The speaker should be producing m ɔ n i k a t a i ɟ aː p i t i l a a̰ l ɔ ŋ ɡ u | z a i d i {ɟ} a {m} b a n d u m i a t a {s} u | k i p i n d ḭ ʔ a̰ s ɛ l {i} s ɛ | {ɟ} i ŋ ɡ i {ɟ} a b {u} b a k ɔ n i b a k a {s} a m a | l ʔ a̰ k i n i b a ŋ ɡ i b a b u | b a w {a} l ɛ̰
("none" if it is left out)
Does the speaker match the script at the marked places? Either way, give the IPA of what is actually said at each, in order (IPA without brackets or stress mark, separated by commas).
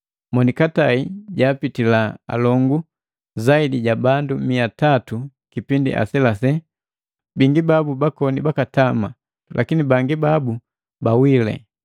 ɟ, none, t, a, b, b, u, t, i